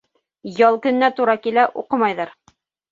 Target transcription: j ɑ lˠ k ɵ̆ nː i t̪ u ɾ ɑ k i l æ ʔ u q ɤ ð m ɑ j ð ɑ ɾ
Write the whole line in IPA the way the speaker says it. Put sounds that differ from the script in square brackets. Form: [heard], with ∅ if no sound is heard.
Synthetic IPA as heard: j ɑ lˠ k ɵ̆ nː [æ] t̪ u ɾ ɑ k i l æ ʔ u q ɤ [∅] m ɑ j ð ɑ ɾ